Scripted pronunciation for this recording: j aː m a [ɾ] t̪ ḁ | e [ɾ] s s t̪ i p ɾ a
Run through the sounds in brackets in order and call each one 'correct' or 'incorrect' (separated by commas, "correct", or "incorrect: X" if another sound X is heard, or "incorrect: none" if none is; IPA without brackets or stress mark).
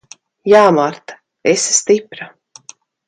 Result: correct, incorrect: none